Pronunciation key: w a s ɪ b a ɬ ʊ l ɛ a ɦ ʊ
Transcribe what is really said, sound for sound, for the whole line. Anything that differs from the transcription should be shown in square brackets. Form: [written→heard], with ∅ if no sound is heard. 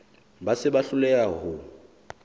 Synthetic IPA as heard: [w→b] a s ɪ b a ɬ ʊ l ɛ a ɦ ʊ